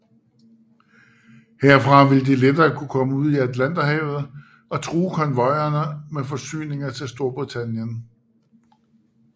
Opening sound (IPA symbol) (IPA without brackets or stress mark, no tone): h